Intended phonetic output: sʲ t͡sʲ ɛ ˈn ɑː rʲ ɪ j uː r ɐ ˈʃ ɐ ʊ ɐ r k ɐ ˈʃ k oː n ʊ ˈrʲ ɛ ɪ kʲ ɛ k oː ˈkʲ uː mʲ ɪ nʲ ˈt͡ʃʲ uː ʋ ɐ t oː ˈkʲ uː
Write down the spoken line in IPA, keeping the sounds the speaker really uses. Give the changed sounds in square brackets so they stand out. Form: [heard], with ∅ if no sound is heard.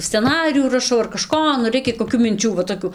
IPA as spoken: sʲ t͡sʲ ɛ ˈn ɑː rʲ ɪ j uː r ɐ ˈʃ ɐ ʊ ɐ r k ɐ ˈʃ k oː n ʊ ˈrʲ ɛ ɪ kʲ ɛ k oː ˈkʲ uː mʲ ɪ nʲ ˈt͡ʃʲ uː ʋ ɐ t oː ˈkʲ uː